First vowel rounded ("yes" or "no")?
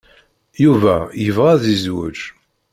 yes